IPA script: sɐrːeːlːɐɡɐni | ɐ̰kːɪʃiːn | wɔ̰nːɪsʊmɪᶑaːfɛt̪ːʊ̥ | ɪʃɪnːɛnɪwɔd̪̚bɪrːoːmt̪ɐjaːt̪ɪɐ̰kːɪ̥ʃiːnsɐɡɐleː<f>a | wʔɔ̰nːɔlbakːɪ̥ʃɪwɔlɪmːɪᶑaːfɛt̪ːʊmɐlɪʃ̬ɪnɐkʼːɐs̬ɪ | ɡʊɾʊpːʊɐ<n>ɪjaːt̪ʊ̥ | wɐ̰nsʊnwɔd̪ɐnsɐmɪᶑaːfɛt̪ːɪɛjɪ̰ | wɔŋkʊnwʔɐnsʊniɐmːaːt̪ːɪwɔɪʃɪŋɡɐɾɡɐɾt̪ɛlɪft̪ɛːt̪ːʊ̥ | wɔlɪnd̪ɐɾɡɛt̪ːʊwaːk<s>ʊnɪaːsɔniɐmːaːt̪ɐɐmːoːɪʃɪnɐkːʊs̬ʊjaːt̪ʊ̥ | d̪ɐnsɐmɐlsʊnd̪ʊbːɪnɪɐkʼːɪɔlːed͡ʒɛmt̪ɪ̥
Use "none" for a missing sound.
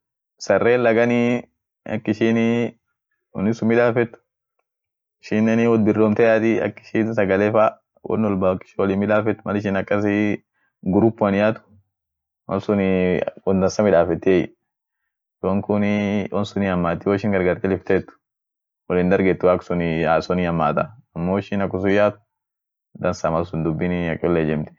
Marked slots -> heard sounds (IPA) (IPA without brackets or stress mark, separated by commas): f, n, s